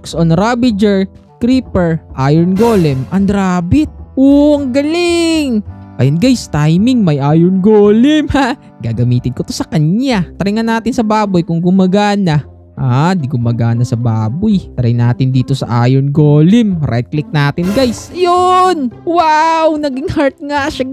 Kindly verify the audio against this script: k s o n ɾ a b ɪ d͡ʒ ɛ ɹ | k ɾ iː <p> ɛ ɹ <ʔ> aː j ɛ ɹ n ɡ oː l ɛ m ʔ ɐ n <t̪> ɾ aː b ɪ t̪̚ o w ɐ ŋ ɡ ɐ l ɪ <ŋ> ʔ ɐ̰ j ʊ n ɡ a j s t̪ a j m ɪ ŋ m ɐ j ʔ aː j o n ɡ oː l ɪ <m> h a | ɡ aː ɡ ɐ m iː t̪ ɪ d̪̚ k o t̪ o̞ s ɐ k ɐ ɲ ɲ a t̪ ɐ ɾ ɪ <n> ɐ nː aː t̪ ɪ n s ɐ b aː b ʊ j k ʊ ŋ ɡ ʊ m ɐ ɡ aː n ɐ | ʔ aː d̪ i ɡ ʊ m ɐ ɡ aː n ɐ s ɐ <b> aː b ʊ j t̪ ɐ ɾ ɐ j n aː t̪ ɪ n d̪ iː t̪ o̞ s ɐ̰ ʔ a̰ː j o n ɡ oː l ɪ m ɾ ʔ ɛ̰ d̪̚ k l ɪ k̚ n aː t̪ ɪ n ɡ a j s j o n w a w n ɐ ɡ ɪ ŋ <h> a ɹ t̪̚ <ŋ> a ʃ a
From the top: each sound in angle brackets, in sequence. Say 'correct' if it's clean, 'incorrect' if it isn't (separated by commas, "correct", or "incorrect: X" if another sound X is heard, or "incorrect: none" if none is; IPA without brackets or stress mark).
correct, correct, incorrect: d̪, correct, correct, incorrect: ŋ, correct, correct, correct